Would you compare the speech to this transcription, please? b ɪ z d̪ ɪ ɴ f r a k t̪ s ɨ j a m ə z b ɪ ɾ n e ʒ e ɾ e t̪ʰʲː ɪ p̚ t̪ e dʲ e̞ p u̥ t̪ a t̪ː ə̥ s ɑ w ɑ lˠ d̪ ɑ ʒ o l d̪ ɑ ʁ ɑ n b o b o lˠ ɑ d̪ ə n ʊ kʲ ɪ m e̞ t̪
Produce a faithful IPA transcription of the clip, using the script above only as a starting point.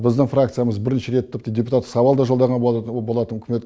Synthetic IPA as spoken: b ɪ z d̪ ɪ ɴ f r a k t̪ s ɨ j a m ə z b ɪ ɾ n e ʃ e ɾ e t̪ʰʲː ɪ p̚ t̪ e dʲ e̞ p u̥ t̪ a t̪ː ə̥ s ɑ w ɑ lˠ d̪ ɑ ʒ o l d̪ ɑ ʁ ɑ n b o b o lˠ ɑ t̪ ə n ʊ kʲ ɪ m e̞ t̪